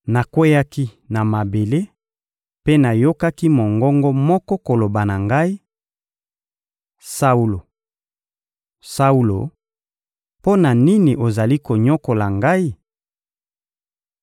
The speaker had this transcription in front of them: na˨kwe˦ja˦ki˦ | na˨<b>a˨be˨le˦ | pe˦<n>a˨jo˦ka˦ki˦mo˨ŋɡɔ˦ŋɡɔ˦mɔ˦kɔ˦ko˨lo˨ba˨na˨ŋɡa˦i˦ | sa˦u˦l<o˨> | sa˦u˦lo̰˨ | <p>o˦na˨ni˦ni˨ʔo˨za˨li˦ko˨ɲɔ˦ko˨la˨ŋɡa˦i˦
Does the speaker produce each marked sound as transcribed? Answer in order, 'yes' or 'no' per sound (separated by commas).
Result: no, yes, yes, yes